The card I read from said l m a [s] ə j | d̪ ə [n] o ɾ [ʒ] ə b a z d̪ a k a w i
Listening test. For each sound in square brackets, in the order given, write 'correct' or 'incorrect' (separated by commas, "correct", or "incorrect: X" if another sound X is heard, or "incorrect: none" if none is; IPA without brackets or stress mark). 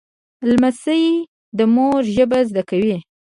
correct, incorrect: m, correct